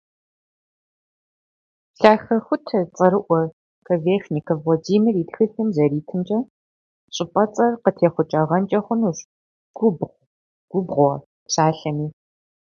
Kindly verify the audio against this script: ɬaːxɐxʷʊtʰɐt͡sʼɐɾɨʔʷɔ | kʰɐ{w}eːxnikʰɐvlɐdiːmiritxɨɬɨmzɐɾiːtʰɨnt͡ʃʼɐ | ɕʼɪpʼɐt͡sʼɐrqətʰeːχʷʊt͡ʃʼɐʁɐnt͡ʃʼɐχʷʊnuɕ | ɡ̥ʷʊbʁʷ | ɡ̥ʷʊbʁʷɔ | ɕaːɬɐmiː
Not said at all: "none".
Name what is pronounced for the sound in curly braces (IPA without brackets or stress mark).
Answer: v